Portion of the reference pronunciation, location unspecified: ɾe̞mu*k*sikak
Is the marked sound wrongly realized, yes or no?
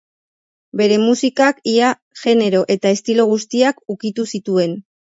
yes